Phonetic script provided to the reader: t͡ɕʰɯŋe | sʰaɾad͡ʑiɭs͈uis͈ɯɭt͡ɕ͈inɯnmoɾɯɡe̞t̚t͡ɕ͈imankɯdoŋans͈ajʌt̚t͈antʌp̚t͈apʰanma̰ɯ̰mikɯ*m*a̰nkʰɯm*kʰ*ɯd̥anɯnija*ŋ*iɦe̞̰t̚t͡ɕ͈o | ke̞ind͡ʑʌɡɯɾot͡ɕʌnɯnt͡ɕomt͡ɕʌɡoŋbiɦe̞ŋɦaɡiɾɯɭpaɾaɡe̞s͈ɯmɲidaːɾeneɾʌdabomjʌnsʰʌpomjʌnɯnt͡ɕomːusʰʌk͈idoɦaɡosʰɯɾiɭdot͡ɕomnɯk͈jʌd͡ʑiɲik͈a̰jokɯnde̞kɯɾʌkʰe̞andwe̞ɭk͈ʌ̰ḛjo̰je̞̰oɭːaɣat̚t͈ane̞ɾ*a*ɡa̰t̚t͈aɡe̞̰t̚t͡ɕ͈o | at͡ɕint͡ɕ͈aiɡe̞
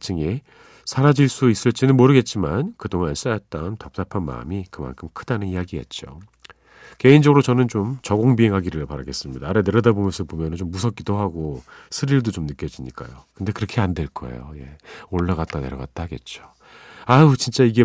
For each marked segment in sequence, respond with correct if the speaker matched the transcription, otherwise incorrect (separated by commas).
correct, correct, incorrect, incorrect